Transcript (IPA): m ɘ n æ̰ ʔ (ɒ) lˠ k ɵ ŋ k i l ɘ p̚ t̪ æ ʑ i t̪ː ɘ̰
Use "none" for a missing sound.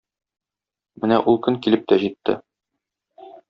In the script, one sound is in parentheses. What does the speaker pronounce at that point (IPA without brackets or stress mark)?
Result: u